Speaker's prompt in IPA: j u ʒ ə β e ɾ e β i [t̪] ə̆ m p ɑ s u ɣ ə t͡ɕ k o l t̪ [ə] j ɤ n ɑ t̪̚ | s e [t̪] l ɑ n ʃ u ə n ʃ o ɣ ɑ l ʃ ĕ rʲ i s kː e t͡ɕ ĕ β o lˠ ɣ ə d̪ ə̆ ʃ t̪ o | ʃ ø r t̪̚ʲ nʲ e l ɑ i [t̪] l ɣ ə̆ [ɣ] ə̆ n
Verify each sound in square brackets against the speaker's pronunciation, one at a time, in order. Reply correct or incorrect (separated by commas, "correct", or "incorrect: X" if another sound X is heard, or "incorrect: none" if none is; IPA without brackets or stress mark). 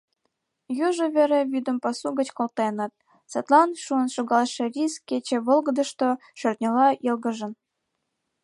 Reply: incorrect: d̪, incorrect: ɑ, correct, incorrect: none, incorrect: ʒ